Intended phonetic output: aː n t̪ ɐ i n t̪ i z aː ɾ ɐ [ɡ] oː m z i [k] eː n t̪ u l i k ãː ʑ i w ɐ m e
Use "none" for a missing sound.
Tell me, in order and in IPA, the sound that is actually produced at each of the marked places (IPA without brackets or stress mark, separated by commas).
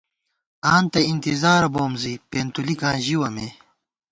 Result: b, p